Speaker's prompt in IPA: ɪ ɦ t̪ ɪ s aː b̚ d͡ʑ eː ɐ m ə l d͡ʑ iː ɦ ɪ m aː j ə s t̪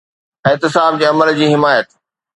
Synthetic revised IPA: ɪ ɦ t̪ ɪ s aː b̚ d͡ʑ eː ɐ m ə l d͡ʑ iː ɦ ɪ m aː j ə t̪